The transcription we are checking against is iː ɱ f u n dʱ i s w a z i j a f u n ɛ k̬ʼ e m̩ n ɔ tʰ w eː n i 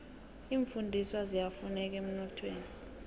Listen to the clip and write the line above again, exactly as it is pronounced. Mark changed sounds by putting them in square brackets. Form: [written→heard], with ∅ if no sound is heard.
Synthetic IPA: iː ɱ f u n dʱ i s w a z i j a f u n ɛ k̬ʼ e m̩ n ɔ tʰ w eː n i